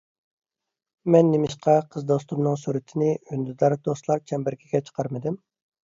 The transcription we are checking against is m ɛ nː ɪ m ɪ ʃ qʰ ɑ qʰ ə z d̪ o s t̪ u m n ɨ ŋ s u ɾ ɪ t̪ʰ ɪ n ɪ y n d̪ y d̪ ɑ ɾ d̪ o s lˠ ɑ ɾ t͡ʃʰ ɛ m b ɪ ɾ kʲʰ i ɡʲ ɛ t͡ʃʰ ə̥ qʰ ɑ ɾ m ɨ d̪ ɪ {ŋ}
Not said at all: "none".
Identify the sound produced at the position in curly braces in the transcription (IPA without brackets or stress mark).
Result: m